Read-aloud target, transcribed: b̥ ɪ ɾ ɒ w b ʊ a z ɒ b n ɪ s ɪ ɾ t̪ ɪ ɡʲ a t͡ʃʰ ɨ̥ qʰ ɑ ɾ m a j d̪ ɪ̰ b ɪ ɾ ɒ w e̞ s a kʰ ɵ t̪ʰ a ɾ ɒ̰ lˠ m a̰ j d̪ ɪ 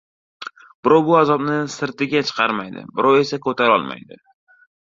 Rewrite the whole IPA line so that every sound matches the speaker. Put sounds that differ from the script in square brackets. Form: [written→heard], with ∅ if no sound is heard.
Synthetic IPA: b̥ ɪ ɾ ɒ w b ʊ a z ɒ b n ɪ s ɪ ɾ t̪ ɪ ɡʲ a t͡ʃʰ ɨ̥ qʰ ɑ ɾ m a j d̪ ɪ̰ b ɪ ɾ ɒ w e̞ s a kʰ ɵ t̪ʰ a ɾ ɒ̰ lˠ m a̰ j d̪ ɪ